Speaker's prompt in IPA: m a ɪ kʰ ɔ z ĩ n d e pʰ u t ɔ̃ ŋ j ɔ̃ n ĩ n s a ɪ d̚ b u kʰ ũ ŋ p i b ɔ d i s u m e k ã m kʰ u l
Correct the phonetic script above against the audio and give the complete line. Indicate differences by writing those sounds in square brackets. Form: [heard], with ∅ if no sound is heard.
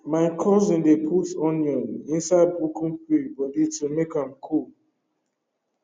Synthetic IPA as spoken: m a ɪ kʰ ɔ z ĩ n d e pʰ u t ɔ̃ [n] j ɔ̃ n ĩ n s a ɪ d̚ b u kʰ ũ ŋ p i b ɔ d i [t] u m e k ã m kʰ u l